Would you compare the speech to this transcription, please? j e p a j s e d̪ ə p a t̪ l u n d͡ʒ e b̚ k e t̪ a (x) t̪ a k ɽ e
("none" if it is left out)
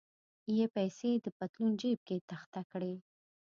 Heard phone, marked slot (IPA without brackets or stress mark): x